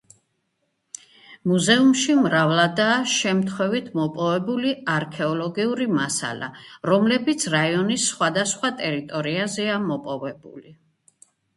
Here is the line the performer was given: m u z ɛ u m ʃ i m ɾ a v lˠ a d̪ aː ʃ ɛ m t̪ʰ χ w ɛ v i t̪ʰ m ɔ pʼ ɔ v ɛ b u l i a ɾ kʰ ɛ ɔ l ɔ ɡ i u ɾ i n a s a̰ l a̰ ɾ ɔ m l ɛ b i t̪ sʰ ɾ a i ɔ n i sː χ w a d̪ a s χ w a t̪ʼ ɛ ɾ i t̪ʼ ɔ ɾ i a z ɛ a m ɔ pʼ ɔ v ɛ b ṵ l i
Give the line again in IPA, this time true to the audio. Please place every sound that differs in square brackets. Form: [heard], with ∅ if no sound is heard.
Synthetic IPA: m u z ɛ u m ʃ i m ɾ a v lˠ a d̪ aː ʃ ɛ m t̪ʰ χ w ɛ v i t̪ʰ m ɔ pʼ ɔ v ɛ b u l i a ɾ kʰ ɛ ɔ l ɔ ɡ i u ɾ i [m] a s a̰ l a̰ ɾ ɔ m l ɛ b i t̪ sʰ ɾ a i ɔ n i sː χ w a d̪ a s χ w a t̪ʼ ɛ ɾ i t̪ʼ ɔ ɾ i a z ɛ a m ɔ pʼ ɔ v ɛ b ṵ l i

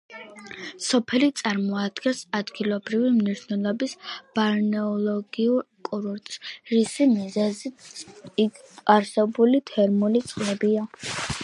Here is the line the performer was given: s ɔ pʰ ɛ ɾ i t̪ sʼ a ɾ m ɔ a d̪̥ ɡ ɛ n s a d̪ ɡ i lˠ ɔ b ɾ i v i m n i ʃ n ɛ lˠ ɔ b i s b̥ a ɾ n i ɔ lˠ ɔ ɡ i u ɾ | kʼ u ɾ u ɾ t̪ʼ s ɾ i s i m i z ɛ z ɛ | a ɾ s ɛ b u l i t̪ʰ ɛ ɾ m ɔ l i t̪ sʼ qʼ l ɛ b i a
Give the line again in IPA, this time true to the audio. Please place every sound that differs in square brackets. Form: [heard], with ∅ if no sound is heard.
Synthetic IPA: s ɔ pʰ ɛ [l] i t̪ sʼ a ɾ m ɔ a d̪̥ ɡ ɛ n s a d̪ ɡ i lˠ ɔ b ɾ i v i m n i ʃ n ɛ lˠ ɔ b i s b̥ a ɾ n [ɛ] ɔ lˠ ɔ ɡ i u ɾ | kʼ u ɾ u ɾ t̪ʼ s ɾ i s i m i z ɛ z [i] | a ɾ s ɛ b u l i t̪ʰ ɛ ɾ m [u] l i t̪ sʼ qʼ l ɛ b i a

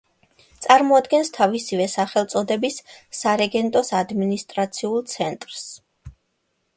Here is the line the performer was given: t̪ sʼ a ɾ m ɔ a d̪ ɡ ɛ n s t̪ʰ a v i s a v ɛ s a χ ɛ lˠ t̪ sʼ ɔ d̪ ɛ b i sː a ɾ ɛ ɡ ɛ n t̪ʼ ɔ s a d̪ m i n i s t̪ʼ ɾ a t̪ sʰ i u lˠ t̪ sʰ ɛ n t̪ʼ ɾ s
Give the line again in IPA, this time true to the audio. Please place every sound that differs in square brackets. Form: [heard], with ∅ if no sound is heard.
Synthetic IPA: t̪ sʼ a ɾ m ɔ a d̪ ɡ ɛ n s t̪ʰ a v i s [i] v ɛ s a χ ɛ lˠ t̪ sʼ ɔ d̪ ɛ b i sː a ɾ ɛ ɡ ɛ n t̪ʼ ɔ s a d̪ m i n i s t̪ʼ ɾ a t̪ sʰ i u lˠ t̪ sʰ ɛ n t̪ʼ ɾ s

